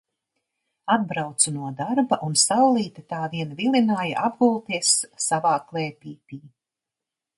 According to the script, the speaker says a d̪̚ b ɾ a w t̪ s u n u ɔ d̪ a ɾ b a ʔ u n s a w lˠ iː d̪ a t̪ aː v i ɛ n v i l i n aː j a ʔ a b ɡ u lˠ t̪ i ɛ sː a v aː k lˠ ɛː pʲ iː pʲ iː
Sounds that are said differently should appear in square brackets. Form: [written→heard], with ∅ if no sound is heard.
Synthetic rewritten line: a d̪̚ b ɾ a w t̪ s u n u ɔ d̪ a ɾ b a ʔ u n s a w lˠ iː [d̪→t̪] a t̪ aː v i ɛ n v i l i n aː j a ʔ a b ɡ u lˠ t̪ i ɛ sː a v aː k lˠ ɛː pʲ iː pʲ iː